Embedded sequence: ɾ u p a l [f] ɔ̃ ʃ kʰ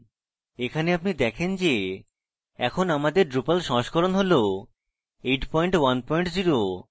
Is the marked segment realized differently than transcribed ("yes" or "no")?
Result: yes